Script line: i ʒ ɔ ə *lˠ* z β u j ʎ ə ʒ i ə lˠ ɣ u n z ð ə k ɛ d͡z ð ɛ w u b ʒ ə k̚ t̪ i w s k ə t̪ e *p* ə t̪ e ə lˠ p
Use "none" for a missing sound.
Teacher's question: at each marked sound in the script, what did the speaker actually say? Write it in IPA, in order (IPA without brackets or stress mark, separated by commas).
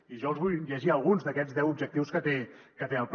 lˠ, k